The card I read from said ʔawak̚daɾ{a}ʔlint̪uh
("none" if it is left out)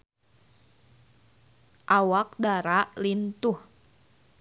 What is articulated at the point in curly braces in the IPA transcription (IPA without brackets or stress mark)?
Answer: a